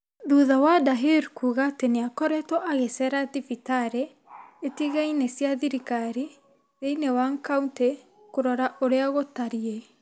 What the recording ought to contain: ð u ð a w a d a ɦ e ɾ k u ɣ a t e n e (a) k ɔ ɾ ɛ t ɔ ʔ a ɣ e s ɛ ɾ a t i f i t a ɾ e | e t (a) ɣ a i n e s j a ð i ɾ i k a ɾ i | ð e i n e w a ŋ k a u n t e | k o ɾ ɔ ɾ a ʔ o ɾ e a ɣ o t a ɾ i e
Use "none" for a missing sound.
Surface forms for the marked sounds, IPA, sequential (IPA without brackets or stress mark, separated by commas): a, i